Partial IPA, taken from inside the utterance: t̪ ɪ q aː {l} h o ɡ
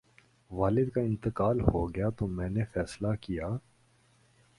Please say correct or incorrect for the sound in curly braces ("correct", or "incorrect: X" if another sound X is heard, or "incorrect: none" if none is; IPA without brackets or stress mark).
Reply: correct